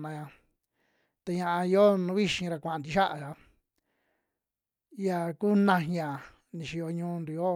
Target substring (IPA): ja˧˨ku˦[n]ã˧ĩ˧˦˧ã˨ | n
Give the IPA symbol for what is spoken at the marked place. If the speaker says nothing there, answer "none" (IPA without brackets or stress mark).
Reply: n